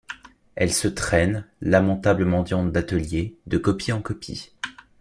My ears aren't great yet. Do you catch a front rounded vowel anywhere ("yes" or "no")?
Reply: no